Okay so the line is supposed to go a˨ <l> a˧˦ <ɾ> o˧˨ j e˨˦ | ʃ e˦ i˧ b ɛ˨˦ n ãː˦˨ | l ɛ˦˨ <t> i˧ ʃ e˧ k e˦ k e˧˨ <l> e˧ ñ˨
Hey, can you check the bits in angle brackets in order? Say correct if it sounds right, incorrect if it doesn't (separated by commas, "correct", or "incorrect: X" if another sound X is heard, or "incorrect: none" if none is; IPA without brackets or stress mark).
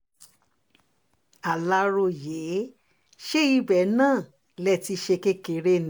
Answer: correct, correct, correct, incorrect: ɾ